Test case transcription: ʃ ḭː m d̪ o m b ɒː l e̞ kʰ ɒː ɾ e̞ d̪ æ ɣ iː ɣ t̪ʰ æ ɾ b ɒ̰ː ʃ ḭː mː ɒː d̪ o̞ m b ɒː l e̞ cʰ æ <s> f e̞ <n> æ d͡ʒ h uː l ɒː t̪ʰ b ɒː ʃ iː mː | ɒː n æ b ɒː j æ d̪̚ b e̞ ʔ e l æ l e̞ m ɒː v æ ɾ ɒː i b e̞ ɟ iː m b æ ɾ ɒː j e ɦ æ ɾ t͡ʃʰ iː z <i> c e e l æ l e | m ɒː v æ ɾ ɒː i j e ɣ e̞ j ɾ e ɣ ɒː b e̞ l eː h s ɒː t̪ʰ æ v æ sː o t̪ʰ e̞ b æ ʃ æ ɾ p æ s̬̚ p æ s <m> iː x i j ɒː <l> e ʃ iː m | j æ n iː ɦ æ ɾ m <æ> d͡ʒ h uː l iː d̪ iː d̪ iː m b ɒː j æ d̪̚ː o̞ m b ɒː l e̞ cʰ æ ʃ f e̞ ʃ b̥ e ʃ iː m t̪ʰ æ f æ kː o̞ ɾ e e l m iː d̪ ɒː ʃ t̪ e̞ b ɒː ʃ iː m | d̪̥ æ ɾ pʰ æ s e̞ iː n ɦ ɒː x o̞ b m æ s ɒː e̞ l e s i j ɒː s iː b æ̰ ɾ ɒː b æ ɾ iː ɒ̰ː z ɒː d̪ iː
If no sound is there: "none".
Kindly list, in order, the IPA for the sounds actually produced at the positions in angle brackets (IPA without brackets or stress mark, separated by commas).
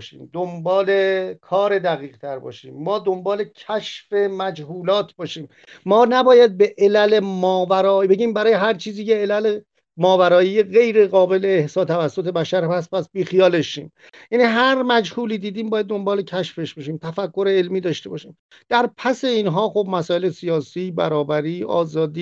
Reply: ʃ, m, iː, b, l, æ